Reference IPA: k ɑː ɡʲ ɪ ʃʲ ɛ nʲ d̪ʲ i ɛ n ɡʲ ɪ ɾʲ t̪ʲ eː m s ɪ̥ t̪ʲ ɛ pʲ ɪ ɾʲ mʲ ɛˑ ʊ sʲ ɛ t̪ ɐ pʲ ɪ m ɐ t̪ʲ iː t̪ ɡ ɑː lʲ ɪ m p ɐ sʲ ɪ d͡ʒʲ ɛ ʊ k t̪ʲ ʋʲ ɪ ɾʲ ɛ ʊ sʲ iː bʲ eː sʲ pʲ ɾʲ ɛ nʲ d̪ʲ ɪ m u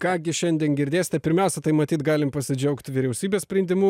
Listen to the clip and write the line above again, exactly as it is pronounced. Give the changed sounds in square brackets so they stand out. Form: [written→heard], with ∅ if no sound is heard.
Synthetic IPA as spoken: k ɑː ɡʲ ɪ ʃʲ ɛ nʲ d̪ʲ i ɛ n ɡʲ ɪ ɾʲ [t̪ʲ→d̪ʲ] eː [m→∅] s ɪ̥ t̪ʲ ɛ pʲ ɪ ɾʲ mʲ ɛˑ ʊ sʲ ɛ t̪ ɐ [pʲ→∅] ɪ m ɐ t̪ʲ iː t̪ ɡ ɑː lʲ ɪ m p ɐ sʲ ɪ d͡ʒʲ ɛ ʊ k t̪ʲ ʋʲ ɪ ɾʲ ɛ ʊ sʲ iː bʲ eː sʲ pʲ ɾʲ ɛ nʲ d̪ʲ ɪ m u